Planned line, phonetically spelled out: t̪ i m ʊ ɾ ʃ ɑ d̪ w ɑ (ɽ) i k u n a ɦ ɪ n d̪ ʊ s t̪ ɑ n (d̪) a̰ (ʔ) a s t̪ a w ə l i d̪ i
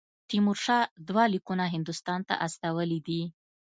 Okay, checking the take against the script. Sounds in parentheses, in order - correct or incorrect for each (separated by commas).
incorrect, incorrect, correct